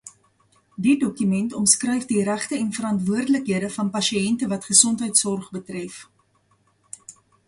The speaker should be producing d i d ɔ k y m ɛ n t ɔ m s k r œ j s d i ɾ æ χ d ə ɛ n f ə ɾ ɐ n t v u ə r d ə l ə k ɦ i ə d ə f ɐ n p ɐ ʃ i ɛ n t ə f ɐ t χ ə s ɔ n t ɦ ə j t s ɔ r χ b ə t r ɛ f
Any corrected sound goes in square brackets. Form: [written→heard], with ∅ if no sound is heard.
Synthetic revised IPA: d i d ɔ k y m ɛ n t ɔ m s k r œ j [s→f] d i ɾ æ χ [d→t] ə ɛ n f ə ɾ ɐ n t v u ə r d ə l ə k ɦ i ə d ə f ɐ n p ɐ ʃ i ɛ n t ə [f→v] ɐ t χ ə s ɔ n t ɦ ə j t s ɔ r χ b ə t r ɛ f